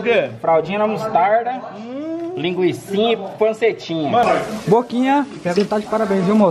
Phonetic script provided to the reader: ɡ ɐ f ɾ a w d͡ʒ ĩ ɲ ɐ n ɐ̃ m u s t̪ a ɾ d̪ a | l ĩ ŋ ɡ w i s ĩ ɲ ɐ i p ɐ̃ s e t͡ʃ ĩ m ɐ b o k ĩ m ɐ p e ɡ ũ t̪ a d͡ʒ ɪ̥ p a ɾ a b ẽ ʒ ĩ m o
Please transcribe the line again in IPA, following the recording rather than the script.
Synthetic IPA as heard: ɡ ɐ f ɾ a w d͡ʒ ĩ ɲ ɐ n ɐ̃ m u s t̪ a ɾ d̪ ɐ | l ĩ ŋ ɡ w i s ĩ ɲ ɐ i p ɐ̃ s e t͡ʃ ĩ ɲ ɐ b o k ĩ ɲ ɐ p e ɡ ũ t̪ a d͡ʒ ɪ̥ p a ɾ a b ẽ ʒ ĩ m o